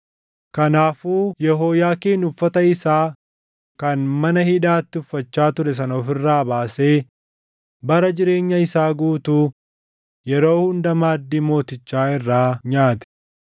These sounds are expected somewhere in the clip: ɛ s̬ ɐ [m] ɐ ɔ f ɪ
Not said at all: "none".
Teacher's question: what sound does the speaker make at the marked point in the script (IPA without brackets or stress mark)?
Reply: n